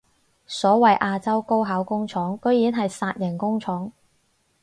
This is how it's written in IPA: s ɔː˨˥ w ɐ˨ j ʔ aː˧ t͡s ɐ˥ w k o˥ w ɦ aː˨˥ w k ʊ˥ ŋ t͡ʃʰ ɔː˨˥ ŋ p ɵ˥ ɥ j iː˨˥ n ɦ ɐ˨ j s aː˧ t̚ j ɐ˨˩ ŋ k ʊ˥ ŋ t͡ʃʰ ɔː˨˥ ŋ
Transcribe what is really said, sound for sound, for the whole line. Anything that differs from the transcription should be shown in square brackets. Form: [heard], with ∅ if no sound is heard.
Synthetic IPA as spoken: s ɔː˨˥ w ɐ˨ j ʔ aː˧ t͡s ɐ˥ w k o˥ w ɦ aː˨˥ w k ʊ˥ ŋ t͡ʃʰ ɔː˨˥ ŋ [k] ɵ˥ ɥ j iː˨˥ n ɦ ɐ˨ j s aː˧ t̚ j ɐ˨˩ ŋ k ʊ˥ ŋ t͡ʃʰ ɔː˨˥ ŋ